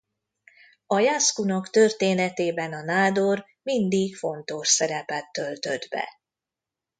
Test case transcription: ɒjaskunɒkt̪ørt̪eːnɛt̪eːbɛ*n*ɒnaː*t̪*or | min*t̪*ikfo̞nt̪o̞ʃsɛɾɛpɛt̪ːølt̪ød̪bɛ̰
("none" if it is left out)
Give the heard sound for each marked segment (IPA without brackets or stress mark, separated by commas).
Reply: n, d̪, d̪